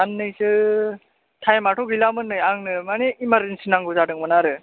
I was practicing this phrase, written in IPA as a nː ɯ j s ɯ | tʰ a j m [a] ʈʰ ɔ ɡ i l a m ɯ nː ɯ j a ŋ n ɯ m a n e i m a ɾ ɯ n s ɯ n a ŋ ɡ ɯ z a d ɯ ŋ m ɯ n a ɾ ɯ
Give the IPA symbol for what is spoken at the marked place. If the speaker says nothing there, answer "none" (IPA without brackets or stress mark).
a